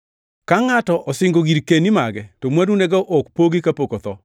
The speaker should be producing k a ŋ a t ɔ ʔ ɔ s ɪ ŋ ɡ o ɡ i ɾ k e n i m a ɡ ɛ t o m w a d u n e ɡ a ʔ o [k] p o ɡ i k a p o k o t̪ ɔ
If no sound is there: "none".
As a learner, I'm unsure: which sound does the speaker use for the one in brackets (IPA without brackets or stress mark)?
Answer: k